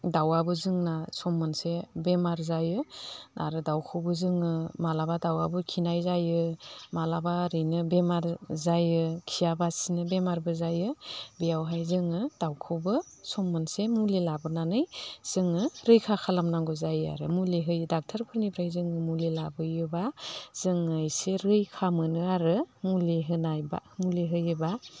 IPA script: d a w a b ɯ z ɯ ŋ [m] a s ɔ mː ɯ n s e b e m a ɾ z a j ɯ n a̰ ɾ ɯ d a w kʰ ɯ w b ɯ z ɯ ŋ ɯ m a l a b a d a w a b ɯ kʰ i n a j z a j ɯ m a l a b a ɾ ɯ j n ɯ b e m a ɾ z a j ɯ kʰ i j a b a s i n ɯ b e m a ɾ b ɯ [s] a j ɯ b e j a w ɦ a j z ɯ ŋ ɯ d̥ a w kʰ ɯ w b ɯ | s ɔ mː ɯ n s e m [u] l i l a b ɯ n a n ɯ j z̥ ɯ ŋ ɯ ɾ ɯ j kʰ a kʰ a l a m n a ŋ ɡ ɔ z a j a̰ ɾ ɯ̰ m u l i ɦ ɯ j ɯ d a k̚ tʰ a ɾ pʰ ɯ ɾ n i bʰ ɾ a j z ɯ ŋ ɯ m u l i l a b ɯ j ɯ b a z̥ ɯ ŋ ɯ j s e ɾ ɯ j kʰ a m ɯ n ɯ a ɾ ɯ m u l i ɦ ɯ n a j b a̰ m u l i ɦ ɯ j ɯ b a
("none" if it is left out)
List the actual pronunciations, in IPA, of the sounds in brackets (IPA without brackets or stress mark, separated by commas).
n, z, u